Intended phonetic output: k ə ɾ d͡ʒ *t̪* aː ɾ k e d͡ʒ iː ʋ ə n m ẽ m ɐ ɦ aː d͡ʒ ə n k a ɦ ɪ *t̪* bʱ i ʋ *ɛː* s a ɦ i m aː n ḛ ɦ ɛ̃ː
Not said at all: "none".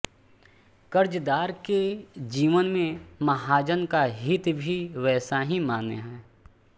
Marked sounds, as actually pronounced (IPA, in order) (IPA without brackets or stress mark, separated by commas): d̪, t̪, ɛː